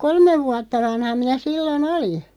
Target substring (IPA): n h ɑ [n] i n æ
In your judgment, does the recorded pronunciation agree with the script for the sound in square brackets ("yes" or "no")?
no